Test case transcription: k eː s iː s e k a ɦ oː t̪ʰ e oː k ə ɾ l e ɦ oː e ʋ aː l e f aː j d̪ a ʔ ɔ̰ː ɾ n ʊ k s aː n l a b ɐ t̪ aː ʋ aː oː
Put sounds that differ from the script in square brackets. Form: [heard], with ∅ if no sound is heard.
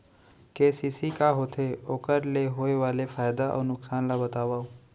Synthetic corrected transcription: k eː s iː s [i] k a ɦ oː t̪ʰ e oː k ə ɾ l e ɦ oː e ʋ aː l e f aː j d̪ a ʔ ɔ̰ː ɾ n ʊ k s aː n l a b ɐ t̪ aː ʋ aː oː